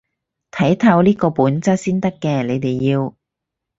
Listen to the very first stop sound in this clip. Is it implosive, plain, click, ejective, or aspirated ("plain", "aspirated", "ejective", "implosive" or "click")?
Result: aspirated